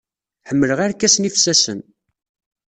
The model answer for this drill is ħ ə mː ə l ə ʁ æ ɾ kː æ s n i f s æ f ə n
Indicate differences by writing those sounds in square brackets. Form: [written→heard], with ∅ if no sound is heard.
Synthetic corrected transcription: ħ ə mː ə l ə ʁ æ ɾ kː æ s n i f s æ [f→s] ə n